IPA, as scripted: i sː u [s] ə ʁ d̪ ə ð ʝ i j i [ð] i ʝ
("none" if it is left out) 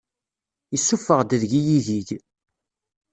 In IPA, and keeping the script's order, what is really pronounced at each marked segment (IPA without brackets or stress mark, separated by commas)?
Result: f, ð